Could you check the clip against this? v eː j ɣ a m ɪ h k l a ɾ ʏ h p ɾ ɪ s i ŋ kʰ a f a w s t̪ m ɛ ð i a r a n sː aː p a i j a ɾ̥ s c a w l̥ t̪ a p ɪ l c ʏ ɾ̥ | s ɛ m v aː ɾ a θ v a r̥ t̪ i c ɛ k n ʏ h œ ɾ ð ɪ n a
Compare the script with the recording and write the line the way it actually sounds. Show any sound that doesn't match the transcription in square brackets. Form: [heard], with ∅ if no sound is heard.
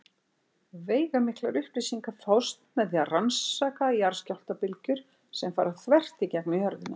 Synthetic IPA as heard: v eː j ɣ a m ɪ h k l a ɾ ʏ h p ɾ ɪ s i ŋ [k] a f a w s t̪ m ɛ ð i a r a n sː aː [k] a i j a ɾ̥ s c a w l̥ t̪ a p ɪ l c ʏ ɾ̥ | s ɛ m [f] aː ɾ a θ v [ɛ] r̥ t̪ i c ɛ k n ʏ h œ ɾ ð ɪ n a

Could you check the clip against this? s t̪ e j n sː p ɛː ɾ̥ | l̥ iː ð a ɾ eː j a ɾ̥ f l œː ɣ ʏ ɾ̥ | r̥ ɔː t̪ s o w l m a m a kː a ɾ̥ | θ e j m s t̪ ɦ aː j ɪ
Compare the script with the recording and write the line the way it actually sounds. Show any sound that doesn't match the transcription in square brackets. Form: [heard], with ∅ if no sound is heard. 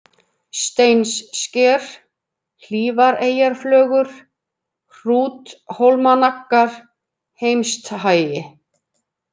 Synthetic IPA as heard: s t̪ e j n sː [c] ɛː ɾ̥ | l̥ iː [v] a ɾ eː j a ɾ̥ f l œː ɣ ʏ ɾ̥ | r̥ [uː] t̪ [h] o w l m a [n] a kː a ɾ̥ | [h] e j m s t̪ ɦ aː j ɪ

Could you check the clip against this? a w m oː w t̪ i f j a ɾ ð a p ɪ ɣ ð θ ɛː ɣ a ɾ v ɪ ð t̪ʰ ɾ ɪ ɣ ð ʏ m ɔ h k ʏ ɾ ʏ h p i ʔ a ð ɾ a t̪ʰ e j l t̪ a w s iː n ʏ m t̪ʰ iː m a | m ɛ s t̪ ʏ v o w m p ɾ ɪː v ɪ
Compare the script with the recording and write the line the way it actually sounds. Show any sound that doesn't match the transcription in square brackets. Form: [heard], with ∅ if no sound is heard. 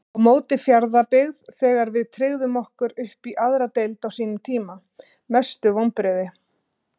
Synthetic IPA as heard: a w m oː w t̪ [ɪ] f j a ɾ ð a p ɪ ɣ ð θ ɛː ɣ a ɾ v ɪ ð t̪ʰ ɾ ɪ ɣ ð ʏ m ɔ h k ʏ ɾ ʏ h p i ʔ a ð ɾ a [t̪] e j l t̪ a w s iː n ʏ m t̪ʰ iː m a | m ɛ s t̪ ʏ v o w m p ɾ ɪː [ð] ɪ

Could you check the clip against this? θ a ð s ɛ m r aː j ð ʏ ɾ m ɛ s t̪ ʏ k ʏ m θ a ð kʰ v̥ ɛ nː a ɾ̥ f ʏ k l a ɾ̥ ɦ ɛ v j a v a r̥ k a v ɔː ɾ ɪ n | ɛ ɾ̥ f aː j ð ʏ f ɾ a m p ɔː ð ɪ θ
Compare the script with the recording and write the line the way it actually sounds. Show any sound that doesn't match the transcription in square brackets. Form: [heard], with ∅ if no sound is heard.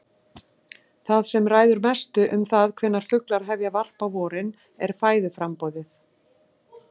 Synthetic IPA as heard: θ a ð s ɛ m r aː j ð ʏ ɾ m ɛ s t̪ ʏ [ʔ] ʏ m θ a ð kʰ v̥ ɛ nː a ɾ̥ f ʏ k l a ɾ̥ ɦ ɛ v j a v a r̥ [p] a v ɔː ɾ ɪ n | ɛ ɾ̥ f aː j ð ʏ f ɾ a m p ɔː ð ɪ θ

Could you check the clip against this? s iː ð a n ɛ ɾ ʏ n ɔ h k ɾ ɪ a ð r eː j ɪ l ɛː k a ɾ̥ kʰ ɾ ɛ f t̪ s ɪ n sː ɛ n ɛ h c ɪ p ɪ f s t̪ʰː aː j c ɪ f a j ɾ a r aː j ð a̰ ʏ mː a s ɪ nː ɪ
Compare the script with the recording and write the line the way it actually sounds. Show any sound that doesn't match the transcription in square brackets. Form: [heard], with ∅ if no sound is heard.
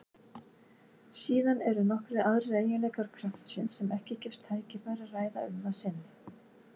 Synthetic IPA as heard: s iː ð a n ɛ ɾ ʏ n ɔ h k ɾ ɪ a ð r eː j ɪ l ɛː k a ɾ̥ kʰ ɾ [a] f t̪ s ɪ n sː ɛ [m] ɛ h c ɪ [c] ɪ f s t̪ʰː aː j c ɪ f a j ɾ a r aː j ð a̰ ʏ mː a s ɪ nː ɪ

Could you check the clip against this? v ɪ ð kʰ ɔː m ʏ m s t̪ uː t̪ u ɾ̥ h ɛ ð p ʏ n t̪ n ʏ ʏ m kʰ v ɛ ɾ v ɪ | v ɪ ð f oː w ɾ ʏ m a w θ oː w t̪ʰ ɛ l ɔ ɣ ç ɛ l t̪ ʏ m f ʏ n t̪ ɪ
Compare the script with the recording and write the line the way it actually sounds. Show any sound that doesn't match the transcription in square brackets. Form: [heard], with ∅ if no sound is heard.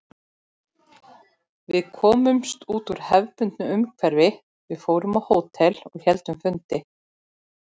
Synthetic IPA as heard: v ɪ ð kʰ ɔː m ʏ m s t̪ uː t̪ u ɾ̥ h ɛ [v] p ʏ n t̪ n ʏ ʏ m kʰ v ɛ ɾ v ɪ | v ɪ ð f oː w ɾ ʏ m a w [h] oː w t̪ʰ ɛ l ɔ ɣ ç ɛ l t̪ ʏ m f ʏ n t̪ ɪ

